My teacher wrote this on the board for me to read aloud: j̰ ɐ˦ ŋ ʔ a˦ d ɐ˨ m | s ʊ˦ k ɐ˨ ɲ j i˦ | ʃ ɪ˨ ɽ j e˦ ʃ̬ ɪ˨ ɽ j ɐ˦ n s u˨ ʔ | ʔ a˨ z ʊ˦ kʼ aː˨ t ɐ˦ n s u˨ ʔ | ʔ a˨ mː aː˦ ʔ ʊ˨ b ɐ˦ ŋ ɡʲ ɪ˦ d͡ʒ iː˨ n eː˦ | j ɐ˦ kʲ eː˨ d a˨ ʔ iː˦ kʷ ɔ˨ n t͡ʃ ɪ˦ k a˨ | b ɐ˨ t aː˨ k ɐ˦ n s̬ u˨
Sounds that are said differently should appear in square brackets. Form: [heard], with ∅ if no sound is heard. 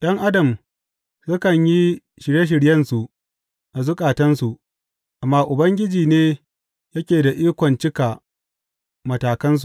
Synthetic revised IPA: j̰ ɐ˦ ŋ ʔ a˦ d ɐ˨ m | s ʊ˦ k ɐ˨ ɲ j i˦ | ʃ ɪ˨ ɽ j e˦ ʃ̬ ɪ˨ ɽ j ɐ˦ n s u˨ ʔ | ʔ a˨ z ʊ˦ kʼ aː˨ t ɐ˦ n s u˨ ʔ | ʔ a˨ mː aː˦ ʔ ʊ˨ b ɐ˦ ŋ ɡʲ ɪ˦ d͡ʒ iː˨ n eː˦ | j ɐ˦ kʲ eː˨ d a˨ ʔ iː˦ kʷ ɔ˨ n t͡ʃ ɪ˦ k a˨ | [m] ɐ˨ t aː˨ k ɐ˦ n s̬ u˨

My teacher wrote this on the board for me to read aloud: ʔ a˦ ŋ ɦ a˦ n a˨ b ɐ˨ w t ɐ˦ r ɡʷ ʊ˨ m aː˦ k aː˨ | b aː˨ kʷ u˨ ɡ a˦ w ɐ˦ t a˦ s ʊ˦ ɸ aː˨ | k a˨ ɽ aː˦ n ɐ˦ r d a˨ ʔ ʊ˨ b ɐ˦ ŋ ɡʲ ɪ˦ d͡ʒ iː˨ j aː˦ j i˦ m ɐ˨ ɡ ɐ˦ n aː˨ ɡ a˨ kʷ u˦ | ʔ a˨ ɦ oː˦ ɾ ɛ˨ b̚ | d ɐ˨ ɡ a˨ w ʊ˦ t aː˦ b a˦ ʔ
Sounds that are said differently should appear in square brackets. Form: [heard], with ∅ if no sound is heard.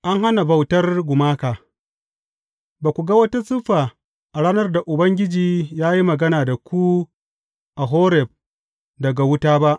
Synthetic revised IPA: ʔ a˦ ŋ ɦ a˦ n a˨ b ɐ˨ w t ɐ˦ r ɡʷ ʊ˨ m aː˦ k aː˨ | b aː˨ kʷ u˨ ɡ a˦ w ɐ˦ t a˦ s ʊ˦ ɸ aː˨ | [ʔ] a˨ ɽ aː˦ n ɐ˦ r d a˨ ʔ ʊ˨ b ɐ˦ ŋ ɡʲ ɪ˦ d͡ʒ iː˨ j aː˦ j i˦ m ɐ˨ ɡ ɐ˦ n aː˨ [d] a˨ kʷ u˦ | ʔ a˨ ɦ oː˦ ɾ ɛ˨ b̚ | d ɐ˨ ɡ a˨ w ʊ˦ t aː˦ b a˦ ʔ

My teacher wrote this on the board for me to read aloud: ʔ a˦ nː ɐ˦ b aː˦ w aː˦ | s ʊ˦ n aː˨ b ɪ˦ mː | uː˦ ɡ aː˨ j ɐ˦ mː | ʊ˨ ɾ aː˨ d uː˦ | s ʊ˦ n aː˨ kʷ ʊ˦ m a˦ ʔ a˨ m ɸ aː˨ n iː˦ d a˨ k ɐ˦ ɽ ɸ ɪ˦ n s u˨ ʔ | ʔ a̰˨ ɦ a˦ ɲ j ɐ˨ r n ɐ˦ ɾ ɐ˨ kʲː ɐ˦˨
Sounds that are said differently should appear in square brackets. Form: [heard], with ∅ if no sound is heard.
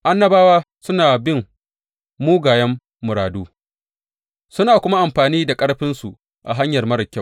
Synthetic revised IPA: ʔ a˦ nː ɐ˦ b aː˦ w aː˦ | s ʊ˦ n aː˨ b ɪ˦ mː | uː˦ ɡ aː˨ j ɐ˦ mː | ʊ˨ ɾ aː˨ d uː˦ | s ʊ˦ n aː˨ kʷ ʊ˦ m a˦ ʔ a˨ m ɸ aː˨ n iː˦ d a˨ [kʼ] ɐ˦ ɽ ɸ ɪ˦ n s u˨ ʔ | ʔ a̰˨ ɦ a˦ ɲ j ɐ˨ r [m] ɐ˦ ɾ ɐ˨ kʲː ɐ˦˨

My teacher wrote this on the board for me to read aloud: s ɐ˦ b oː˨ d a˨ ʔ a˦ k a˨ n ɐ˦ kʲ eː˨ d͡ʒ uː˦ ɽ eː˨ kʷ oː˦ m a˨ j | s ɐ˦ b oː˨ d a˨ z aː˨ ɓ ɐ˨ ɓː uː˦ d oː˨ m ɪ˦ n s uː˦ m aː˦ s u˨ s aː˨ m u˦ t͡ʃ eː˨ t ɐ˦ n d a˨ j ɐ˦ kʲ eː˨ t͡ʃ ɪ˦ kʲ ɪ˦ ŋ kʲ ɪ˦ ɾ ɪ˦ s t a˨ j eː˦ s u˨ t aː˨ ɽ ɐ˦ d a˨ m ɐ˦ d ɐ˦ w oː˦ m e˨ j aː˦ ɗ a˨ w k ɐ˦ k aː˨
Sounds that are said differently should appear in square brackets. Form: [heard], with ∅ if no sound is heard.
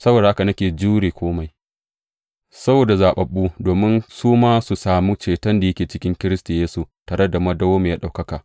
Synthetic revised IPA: s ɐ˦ b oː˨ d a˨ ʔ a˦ k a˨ n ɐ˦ kʲ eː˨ d͡ʒ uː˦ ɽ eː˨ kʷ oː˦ m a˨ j | s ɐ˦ b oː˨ d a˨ z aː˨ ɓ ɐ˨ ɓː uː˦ d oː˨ m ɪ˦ n s uː˦ m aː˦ s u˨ s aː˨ m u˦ t͡ʃ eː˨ t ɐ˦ n d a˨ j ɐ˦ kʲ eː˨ t͡ʃ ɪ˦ kʲ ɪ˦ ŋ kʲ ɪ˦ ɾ ɪ˦ s t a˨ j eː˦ s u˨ t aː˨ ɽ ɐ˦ d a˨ m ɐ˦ d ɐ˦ w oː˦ m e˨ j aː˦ ɗ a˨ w k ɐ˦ k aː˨

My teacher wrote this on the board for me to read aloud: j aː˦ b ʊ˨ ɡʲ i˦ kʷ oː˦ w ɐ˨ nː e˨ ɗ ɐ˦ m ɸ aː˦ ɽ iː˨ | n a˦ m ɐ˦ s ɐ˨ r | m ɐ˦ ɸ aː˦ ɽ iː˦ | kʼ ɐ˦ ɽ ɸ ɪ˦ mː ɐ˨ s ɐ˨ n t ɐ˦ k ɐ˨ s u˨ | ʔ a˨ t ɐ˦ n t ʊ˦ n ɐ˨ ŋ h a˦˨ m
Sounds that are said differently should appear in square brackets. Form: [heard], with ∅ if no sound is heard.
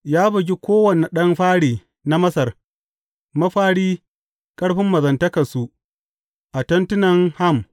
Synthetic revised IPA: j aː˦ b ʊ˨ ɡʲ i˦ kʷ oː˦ w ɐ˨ [n] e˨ ɗ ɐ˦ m ɸ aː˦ ɽ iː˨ | n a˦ m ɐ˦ s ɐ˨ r | m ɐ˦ ɸ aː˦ ɽ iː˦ | kʼ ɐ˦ ɽ ɸ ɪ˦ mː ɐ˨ [z] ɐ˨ n t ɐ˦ k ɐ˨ s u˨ | ʔ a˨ t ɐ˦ n t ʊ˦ n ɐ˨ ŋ h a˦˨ m

